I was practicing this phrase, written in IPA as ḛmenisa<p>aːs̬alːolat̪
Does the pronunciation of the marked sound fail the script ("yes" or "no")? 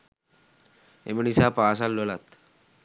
no